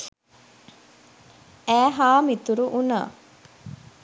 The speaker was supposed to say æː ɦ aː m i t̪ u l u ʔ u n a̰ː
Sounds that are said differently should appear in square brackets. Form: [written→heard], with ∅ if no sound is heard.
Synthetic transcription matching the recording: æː ɦ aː m i t̪ u [l→ɾ] u ʔ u n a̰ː